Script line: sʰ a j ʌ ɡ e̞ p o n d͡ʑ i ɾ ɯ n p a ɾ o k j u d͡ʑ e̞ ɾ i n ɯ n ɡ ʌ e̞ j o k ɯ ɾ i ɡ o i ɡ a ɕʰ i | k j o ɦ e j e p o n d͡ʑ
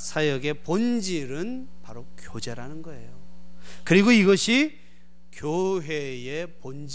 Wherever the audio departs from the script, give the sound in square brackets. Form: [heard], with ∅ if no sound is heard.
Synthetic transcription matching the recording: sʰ a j ʌ ɡ e̞ p o n d͡ʑ i ɾ ɯ n p a ɾ o k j [o] d͡ʑ e̞ ɾ [a] n ɯ n ɡ ʌ e̞ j o k ɯ ɾ i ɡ o i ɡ [ʌ] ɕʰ i | k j o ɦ e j e p o n d͡ʑ